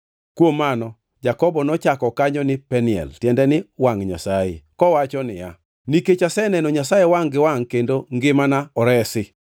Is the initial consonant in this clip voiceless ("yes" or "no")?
yes